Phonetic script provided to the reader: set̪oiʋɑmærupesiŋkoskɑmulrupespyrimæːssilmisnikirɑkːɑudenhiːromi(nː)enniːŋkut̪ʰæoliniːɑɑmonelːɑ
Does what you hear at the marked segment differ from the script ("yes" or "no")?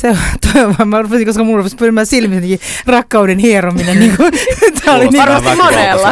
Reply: yes